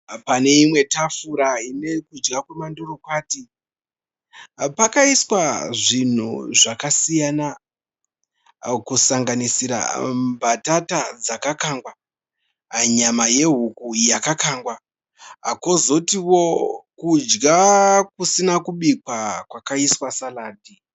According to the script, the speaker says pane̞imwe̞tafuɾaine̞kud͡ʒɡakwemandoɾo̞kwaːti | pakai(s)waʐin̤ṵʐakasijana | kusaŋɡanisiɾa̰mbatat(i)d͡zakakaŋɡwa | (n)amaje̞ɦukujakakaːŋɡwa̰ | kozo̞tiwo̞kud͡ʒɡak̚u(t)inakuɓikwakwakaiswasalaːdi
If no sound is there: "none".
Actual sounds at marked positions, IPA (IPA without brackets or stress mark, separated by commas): s, a, ɲ, s